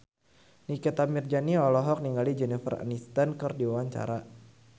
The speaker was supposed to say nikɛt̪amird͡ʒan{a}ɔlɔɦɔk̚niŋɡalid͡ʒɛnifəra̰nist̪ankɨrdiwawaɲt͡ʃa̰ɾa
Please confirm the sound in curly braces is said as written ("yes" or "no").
no